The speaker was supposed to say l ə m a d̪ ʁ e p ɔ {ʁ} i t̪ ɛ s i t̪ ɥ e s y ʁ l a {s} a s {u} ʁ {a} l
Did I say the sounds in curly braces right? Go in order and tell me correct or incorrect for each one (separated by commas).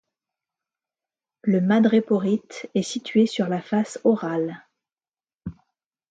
correct, incorrect, incorrect, correct